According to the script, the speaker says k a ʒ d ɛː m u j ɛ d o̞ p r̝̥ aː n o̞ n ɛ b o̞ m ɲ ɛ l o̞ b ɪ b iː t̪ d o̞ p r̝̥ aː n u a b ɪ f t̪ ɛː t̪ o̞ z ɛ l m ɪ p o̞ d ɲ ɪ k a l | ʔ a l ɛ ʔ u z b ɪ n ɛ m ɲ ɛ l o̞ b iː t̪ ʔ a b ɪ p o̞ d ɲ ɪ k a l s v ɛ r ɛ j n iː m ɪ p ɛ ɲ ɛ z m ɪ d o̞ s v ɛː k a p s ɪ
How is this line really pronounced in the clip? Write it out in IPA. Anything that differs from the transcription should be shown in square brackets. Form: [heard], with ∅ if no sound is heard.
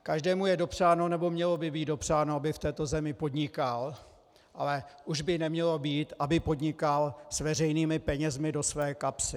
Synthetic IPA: k a ʒ d ɛː m u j ɛ d o̞ p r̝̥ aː n o̞ n ɛ b o̞ m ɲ ɛ l o̞ b ɪ b iː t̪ d o̞ p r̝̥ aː n [o] a b ɪ f t̪ ɛː t̪ o̞ z ɛ [∅] m ɪ p o̞ d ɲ ɪ k a l | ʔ a l ɛ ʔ u [ʒ] b ɪ n ɛ m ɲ ɛ l o̞ b iː t̪ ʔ a b ɪ p o̞ d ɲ ɪ k a l s v ɛ r ɛ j n iː m ɪ p ɛ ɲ ɛ z m ɪ d o̞ s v ɛː k a p s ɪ